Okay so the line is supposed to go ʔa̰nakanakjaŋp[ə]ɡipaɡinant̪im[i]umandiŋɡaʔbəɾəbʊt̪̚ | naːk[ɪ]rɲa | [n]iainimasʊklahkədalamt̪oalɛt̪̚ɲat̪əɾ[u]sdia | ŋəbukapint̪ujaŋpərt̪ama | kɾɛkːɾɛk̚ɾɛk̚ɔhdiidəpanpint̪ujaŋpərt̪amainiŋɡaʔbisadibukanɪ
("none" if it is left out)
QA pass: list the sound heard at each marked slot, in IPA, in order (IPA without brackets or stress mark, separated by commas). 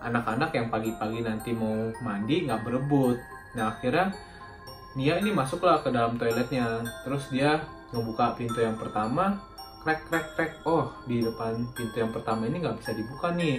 a, a, i, n, ʊ